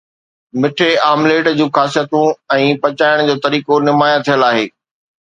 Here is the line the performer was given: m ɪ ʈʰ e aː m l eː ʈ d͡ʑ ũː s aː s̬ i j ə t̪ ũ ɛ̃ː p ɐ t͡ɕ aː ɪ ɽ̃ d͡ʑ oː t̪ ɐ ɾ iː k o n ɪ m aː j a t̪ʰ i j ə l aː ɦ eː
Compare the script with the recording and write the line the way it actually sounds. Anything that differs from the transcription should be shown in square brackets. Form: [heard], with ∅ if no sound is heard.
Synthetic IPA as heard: m ɪ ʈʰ e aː m l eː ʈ d͡ʑ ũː [x] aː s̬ i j ə t̪ ũ ɛ̃ː p ɐ t͡ɕ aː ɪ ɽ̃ d͡ʑ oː t̪ ɐ ɾ iː k o n ɪ m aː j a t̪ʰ i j ə l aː ɦ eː